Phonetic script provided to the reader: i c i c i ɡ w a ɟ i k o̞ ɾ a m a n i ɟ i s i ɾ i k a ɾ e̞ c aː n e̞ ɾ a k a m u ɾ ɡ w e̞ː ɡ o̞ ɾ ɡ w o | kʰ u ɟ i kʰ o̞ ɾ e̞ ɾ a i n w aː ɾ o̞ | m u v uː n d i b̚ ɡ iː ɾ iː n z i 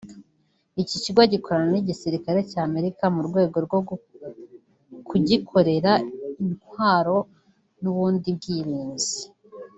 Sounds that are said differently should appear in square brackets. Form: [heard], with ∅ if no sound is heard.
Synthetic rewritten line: i c i c i ɡ w a ɟ i k o̞ ɾ a [n] a n i ɟ i s i ɾ i k a ɾ e̞ c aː [m] e̞ ɾ [i] k a m u ɾ ɡ w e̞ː ɡ o̞ ɾ ɡ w o | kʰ u ɟ i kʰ o̞ ɾ e̞ ɾ a i n w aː ɾ o̞ | [n] u [β] uː n d i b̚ ɡ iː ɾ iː n z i